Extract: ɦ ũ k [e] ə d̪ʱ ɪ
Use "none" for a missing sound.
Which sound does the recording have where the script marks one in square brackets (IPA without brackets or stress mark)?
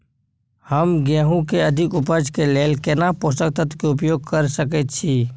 e